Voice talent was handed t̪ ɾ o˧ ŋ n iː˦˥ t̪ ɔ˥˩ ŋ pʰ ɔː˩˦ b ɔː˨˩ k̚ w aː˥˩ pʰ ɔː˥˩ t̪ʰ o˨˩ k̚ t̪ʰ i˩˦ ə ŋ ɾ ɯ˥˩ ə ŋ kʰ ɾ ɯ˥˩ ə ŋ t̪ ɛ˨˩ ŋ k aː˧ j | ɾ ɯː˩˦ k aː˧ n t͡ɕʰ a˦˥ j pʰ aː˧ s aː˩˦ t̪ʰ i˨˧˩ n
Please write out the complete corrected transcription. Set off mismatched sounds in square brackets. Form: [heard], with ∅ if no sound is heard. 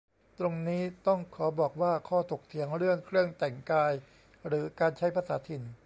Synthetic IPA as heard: t̪ ɾ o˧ ŋ n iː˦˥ t̪ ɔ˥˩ ŋ [kʰ] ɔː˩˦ b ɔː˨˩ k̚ w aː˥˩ [kʰ] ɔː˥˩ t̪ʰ o˨˩ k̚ t̪ʰ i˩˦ ə ŋ ɾ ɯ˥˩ ə ŋ kʰ ɾ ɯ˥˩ ə ŋ t̪ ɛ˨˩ ŋ k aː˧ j | ɾ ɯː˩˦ k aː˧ n t͡ɕʰ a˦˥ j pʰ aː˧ s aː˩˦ t̪ʰ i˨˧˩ n